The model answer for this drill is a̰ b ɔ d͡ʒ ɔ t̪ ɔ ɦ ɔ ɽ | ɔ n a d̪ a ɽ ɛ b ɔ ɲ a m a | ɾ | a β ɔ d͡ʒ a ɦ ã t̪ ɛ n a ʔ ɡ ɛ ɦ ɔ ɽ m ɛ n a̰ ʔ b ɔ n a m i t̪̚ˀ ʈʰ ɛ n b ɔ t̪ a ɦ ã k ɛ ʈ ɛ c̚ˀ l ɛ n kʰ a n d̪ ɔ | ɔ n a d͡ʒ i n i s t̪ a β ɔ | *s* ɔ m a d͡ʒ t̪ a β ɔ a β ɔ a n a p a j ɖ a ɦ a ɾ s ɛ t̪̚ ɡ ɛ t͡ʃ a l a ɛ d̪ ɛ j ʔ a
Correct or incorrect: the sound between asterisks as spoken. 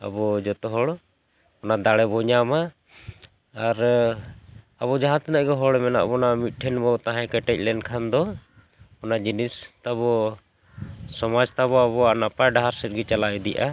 correct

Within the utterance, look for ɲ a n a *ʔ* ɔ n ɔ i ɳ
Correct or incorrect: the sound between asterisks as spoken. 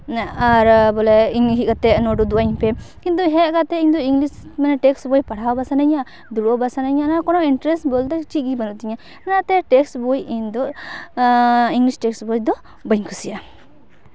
incorrect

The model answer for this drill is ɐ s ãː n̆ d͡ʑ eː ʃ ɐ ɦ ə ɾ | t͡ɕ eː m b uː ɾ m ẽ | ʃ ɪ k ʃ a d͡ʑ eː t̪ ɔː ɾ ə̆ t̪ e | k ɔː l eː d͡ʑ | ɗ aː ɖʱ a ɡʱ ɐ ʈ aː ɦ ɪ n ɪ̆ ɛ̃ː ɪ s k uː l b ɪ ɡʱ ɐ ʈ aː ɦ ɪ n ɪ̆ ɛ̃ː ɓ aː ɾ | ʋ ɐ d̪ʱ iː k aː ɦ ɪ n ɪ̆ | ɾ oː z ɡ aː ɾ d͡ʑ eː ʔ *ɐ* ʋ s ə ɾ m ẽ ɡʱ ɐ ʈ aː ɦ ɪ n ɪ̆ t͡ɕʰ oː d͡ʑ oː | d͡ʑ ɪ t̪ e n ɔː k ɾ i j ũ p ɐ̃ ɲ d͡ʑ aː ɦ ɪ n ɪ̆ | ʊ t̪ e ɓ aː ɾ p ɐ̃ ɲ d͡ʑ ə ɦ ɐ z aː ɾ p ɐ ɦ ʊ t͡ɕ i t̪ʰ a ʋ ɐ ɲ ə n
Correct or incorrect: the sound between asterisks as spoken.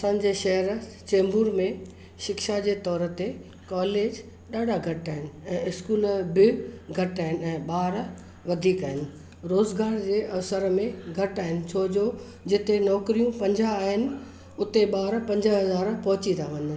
correct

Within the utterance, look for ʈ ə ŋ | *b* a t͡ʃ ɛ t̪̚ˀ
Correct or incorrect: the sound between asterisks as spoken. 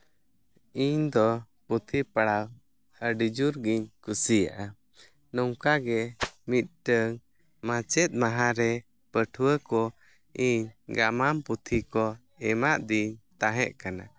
incorrect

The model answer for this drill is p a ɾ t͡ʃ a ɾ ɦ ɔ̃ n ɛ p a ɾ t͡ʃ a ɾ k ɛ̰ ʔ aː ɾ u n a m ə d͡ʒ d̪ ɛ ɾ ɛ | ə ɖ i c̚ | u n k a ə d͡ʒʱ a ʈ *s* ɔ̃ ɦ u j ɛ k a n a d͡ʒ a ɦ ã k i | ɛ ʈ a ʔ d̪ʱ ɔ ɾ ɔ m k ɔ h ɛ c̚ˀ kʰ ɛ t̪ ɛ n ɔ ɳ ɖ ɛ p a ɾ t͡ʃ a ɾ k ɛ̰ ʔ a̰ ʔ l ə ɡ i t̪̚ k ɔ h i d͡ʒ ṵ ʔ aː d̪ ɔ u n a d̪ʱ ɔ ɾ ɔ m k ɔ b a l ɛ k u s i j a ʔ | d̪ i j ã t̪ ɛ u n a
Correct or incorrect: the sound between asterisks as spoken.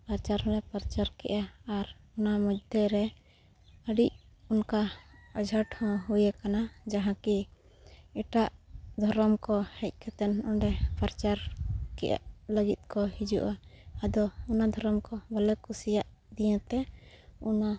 incorrect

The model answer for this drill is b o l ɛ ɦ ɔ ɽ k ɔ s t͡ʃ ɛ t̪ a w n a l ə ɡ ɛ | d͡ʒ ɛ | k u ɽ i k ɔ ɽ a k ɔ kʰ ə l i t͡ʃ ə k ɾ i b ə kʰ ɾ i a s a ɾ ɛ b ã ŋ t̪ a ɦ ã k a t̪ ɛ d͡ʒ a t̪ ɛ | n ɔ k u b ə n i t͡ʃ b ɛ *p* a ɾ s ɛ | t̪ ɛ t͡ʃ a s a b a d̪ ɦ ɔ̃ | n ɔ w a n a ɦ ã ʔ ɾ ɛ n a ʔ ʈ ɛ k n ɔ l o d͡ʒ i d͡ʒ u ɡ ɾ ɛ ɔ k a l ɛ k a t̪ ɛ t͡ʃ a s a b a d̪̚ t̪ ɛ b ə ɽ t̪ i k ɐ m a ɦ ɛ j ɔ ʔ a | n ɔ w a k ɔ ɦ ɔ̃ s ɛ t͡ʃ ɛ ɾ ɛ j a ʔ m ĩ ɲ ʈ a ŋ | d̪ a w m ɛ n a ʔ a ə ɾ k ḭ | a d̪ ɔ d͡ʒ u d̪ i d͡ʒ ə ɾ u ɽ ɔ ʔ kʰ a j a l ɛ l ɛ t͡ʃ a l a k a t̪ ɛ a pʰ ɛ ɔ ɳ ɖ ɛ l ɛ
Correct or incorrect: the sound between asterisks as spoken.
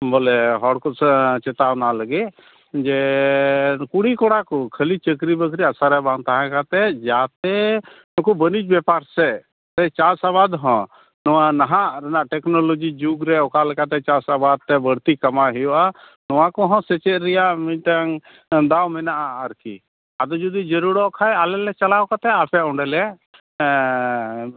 correct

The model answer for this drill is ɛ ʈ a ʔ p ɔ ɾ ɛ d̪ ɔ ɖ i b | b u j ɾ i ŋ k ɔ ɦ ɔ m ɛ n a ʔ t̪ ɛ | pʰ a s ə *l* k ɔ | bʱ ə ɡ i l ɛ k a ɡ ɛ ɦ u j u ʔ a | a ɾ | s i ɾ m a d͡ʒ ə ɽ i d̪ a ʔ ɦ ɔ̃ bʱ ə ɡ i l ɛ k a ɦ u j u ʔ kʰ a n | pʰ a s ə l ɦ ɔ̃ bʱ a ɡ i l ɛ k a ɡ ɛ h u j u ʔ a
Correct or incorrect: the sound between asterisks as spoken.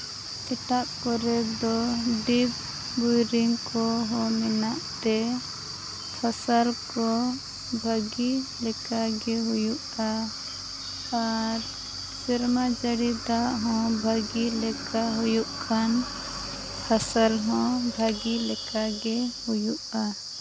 correct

